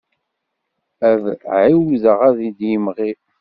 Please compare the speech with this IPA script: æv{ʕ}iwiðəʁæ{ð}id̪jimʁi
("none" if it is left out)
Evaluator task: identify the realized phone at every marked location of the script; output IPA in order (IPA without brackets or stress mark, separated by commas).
ʕ, ð